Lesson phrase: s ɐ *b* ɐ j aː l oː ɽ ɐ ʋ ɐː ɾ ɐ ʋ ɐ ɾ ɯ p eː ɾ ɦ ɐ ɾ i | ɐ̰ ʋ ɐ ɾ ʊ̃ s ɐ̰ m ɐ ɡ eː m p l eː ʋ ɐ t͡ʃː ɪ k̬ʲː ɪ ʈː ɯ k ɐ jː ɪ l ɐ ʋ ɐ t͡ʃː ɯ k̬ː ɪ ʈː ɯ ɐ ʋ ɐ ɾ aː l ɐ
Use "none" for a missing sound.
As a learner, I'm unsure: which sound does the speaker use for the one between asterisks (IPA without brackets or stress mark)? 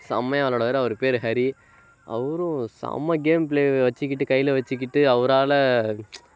m